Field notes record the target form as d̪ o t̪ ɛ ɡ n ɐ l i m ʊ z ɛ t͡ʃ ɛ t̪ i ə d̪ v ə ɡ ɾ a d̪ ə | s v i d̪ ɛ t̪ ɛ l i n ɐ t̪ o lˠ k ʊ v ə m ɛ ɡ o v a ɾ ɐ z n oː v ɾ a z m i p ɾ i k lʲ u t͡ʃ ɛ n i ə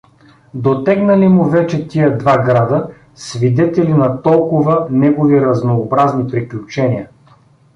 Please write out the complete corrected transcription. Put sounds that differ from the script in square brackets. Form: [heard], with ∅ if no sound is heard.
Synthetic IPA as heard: d̪ o t̪ ɛ ɡ n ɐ l i m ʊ [v] ɛ t͡ʃ ɛ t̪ i ə d̪ v [a] ɡ ɾ a d̪ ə | s v i d̪ ɛ t̪ ɛ l i n ɐ t̪ [ɔ] lˠ k ʊ v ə [n] ɛ ɡ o v [i] ɾ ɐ z n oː [b] ɾ a z [n] i p ɾ i k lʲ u t͡ʃ ɛ n i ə